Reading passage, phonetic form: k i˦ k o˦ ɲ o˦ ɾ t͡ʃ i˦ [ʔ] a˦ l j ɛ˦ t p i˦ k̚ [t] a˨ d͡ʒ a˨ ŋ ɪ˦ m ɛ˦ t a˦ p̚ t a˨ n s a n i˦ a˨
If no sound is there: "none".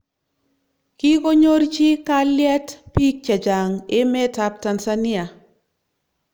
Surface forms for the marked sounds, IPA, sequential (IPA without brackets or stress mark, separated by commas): k, t͡ʃ